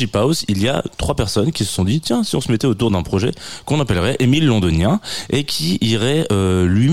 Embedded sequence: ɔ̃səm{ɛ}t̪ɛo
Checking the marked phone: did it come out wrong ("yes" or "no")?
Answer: no